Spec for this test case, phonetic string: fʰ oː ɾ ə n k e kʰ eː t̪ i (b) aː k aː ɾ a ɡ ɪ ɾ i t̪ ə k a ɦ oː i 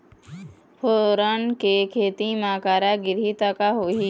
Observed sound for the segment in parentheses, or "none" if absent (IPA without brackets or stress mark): m